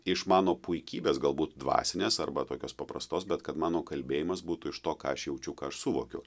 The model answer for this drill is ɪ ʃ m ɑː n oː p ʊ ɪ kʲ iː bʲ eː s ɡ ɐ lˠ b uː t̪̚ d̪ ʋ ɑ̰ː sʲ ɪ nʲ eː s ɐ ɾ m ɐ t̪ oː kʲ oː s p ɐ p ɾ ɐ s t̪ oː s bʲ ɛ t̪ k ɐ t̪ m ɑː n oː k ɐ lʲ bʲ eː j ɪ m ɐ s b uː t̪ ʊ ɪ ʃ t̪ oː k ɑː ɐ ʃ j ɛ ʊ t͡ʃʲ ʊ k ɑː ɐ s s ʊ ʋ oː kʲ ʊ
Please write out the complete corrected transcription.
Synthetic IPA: ɪ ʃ m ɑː n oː p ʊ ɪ kʲ iː bʲ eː s ɡ ɐ lˠ b uː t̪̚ d̪ ʋ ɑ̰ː sʲ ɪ nʲ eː s ɐ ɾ b ɐ t̪ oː kʲ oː s p ɐ p ɾ ɐ s t̪ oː s bʲ ɛ t̪ k ɐ t̪ m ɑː n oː k ɐ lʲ bʲ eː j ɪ m ɐ s b uː t̪ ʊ ɪ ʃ t̪ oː k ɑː ɐ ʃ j ɛ ʊ t͡ʃʲ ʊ k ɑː ɐ ʃ s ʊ ʋ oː kʲ ʊ